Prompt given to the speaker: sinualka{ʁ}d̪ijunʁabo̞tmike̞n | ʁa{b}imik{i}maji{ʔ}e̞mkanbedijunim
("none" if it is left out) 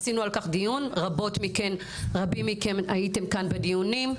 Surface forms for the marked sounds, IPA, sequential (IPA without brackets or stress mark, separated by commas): χ, b, e, t